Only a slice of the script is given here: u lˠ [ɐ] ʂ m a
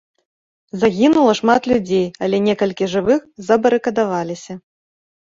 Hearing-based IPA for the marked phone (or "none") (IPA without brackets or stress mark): ɐ